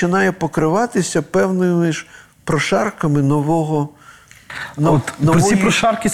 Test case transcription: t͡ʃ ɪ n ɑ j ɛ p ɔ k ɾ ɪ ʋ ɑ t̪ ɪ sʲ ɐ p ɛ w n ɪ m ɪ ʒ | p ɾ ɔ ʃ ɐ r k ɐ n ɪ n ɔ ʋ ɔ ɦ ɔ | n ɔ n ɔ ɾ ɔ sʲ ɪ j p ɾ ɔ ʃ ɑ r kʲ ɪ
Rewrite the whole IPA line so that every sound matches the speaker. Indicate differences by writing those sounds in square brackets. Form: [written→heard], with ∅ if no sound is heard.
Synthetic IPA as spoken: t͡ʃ ɪ n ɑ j ɛ p ɔ k ɾ ɪ ʋ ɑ t̪ ɪ sʲ ɐ p ɛ w n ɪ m ɪ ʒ | p ɾ ɔ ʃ [ɐ→ɑ] r k ɐ [n→m] ɪ n ɔ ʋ ɔ ɦ ɔ | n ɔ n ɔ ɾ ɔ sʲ [ɪ→i] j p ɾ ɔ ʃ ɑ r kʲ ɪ